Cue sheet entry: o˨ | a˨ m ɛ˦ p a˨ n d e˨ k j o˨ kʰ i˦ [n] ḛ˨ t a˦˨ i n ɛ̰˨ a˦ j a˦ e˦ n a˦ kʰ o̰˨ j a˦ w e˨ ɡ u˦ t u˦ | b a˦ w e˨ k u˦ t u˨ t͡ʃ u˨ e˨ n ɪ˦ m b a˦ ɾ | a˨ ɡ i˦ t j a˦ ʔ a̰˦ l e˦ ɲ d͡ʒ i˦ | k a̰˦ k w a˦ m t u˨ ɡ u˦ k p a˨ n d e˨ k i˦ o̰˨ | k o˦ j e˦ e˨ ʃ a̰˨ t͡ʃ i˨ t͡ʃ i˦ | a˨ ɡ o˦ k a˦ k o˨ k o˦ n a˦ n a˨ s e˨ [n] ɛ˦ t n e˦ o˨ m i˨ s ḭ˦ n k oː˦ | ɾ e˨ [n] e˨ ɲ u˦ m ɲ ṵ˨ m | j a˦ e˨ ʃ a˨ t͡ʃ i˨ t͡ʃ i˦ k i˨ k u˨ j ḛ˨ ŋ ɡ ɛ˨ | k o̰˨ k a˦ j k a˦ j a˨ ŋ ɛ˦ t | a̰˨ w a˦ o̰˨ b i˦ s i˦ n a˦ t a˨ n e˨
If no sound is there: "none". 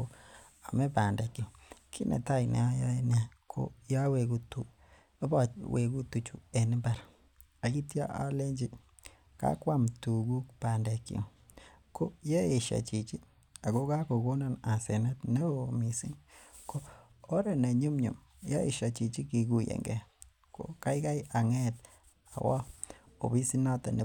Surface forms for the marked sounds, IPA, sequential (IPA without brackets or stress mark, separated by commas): n, n, n